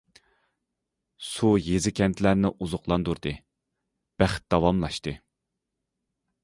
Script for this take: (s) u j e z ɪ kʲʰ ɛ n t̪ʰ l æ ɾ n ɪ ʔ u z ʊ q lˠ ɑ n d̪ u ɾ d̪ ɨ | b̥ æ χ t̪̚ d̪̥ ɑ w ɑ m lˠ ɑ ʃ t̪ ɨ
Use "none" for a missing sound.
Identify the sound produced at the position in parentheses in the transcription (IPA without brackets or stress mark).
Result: s